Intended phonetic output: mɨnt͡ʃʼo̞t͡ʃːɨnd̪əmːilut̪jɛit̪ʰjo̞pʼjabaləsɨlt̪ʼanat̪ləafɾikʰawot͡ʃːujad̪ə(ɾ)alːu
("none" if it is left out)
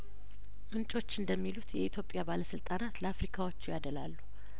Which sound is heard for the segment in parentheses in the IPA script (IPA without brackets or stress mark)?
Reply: l